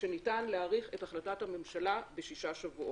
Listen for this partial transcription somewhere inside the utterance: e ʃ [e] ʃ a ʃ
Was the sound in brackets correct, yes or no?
no